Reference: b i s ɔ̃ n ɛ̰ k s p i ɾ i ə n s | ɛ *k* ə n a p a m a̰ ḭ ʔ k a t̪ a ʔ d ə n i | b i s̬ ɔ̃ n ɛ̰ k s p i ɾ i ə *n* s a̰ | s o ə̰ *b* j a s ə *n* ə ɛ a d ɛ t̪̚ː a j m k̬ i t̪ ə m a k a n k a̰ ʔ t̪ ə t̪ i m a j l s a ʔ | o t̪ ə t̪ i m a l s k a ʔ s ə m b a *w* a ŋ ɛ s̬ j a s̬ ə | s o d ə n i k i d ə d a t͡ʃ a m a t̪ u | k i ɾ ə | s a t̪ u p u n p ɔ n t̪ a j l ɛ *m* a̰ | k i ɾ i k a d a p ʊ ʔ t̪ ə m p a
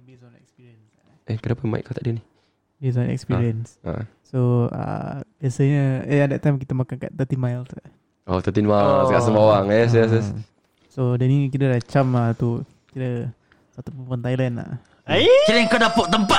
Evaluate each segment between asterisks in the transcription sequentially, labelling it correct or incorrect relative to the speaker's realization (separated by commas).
correct, correct, correct, incorrect, correct, incorrect